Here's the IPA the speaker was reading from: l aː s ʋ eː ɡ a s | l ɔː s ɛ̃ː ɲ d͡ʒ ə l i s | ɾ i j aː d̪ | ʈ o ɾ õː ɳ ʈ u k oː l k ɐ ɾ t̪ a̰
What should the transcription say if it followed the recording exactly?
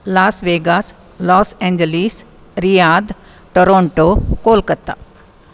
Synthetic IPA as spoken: l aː s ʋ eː ɡ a s | l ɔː s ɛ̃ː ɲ d͡ʒ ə l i s | ɾ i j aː d̪ | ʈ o ɾ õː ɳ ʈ o k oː l k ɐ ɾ t̪ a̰

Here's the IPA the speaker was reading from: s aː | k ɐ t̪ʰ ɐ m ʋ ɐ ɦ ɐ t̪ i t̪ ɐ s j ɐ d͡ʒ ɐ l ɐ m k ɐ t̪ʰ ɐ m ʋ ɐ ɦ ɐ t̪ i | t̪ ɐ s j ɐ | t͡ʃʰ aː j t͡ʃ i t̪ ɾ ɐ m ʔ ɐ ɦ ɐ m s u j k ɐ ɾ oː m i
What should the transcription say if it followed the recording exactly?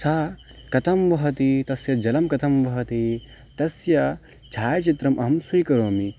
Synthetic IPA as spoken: s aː | k ɐ t̪ʰ ɐ m ʋ ɐ ɦ ɐ t̪ i t̪ ɐ s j ɐ d͡ʒ ɐ l ɐ m k ɐ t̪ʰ ɐ m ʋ ɐ ɦ ɐ t̪ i | t̪ ɐ s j ɐ | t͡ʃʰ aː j t͡ʃ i t̪ ɾ ɐ m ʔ ɐ ɦ ɐ m s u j k ɐ ɾ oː m i

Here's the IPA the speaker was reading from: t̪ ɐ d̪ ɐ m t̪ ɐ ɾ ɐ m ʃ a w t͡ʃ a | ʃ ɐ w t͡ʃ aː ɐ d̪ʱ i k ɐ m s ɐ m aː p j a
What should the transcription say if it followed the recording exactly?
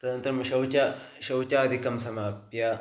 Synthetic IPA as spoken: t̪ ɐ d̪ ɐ n t̪ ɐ ɾ ɐ m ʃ ɐ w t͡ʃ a | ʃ ɐ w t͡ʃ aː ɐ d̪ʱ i k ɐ m s ɐ m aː p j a

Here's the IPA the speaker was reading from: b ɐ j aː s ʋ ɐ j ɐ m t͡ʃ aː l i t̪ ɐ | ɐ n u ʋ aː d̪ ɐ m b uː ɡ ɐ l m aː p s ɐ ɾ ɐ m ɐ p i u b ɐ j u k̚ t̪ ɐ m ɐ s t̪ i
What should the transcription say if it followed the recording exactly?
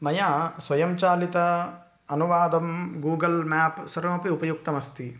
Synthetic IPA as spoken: m ɐ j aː s ʋ ɐ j ɐ m t͡ʃ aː l i t̪ ɐ | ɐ n u ʋ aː d̪ ɐ m ɡ uː ɡ ɐ l m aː p s ɐ ɾ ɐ m ɐ p i u p ɐ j u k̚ t̪ ɐ m ɐ s t̪ i

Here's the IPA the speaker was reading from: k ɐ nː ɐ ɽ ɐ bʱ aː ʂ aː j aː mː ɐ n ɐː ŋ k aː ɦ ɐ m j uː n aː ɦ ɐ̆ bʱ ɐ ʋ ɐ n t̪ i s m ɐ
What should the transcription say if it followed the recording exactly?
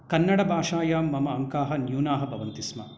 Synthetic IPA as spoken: k ɐ nː ɐ ɽ ɐ bʱ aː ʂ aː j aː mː ɐ m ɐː ŋ k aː ɦ ɐ n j uː n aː ɦ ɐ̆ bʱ ɐ ʋ ɐ n t̪ i s m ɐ

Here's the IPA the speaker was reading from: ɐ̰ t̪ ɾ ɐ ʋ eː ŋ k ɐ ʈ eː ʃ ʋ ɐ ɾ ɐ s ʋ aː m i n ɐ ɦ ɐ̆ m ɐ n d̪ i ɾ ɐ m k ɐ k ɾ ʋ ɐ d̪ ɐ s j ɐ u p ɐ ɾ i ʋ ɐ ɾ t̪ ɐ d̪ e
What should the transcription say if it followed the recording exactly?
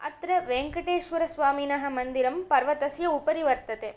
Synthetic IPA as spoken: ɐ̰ t̪ ɾ ɐ ʋ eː ŋ k ɐ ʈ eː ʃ ʋ ɐ ɾ ɐ s ʋ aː m i n ɐ ɦ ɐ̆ m ɐ n d̪ i ɾ ɐ m p ɐ ɾ ʋ ɐ t̪ ɐ s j ɐ u p ɐ ɾ i ʋ ɐ ɾ t̪ ɐ t̪ e

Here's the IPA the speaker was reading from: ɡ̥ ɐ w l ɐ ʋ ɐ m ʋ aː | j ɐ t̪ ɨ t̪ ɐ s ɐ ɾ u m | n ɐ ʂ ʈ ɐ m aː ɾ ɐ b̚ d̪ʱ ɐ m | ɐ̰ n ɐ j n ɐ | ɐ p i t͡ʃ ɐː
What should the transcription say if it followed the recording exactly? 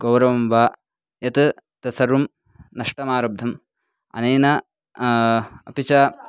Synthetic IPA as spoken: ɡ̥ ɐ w ɾ ɐ ʋ ɐ m ʋ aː | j ɐ t̪ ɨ t̪ ɐ s ɐ ɾ u m | n ɐ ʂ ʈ ɐ m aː ɾ ɐ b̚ d̪ʱ ɐ m | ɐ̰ n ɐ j n ɐ | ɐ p i t͡ʃ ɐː

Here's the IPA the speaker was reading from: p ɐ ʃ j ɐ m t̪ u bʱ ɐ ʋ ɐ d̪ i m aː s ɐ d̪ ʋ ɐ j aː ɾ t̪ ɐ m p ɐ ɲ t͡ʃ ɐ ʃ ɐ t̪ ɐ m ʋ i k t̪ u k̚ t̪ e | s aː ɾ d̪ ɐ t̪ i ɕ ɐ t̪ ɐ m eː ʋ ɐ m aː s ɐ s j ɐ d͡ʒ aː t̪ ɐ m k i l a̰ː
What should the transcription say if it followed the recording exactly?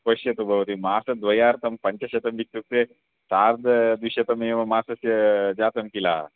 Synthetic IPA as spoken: p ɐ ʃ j ɐ t̪ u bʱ ɐ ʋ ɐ t̪ i m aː s ɐ d̪ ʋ ɐ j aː ɾ t̪ ɐ m p ɐ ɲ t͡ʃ ɐ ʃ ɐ t̪ ɐ m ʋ i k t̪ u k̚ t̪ e | s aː ɾ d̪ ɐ d̪ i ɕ ɐ t̪ ɐ m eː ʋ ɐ m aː s ɐ s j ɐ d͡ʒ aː t̪ ɐ m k i l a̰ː

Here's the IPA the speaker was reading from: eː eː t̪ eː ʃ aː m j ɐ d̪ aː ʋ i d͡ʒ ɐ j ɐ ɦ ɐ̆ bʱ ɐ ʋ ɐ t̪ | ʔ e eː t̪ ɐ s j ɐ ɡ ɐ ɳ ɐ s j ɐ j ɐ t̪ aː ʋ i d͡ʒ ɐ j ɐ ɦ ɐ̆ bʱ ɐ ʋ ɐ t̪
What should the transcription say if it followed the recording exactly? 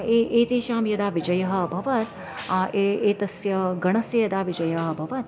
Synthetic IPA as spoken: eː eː t̪ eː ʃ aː m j ɐ d̪ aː ʋ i d͡ʒ ɐ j ɐ ɦ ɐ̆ bʱ ɐ ʋ ɐ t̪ | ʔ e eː t̪ ɐ s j ɐ ɡ ɐ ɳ ɐ s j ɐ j ɐ d̪ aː ʋ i d͡ʒ ɐ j ɐ ɦ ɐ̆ bʱ ɐ ʋ ɐ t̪

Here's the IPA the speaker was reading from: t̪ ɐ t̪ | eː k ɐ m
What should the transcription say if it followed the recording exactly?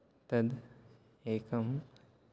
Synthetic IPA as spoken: t̪ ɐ d̪ | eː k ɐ m

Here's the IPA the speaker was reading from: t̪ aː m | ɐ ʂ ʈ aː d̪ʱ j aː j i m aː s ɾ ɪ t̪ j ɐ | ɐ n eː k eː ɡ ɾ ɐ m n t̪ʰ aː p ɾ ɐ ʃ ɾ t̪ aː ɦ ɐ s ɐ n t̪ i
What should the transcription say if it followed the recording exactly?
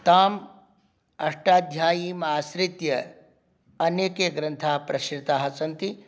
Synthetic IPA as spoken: t̪ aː m | ɐ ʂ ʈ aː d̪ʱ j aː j i m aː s ɾ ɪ t̪ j ɐ | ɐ n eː k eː ɡ ɾ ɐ n t̪ʰ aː p ɾ ɐ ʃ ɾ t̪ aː ɦ ɐ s ɐ n t̪ i

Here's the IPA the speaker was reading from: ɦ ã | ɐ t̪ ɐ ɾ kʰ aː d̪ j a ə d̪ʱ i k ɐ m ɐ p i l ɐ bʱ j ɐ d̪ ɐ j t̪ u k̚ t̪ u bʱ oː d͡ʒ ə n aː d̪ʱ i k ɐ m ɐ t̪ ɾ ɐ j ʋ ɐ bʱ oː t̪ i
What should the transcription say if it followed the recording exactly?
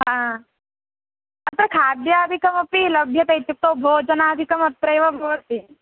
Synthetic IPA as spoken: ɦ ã | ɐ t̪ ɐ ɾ kʰ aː d̪ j a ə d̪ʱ i k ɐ m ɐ p i l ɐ bʱ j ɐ t̪ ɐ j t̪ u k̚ t̪ o bʱ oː d͡ʒ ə n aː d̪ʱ i k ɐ m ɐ t̪ ɾ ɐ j ʋ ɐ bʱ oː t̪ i

